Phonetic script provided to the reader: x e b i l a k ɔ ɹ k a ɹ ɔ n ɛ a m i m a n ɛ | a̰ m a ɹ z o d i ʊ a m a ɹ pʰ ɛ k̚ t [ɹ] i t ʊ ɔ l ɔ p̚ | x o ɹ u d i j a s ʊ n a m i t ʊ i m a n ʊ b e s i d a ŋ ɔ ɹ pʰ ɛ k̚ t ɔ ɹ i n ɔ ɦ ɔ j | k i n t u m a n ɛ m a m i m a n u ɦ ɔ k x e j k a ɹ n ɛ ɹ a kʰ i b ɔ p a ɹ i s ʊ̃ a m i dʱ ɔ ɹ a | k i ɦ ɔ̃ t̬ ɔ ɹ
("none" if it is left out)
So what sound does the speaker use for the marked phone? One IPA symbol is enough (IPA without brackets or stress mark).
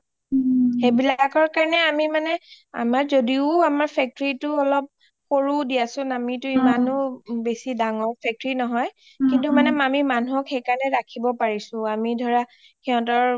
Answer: ɹ